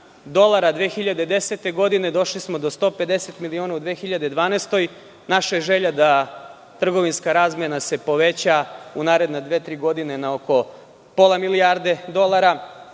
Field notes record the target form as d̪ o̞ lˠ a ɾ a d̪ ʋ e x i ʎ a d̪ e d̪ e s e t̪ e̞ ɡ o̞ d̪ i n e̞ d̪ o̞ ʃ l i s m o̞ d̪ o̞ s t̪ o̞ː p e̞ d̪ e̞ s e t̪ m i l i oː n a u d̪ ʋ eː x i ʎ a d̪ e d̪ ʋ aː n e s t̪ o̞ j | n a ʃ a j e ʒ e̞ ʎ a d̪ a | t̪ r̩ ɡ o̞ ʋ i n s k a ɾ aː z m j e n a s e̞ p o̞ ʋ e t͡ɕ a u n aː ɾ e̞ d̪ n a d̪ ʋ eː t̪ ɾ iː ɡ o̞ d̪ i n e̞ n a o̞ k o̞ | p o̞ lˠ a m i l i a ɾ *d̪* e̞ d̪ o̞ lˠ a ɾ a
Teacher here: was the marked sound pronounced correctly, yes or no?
yes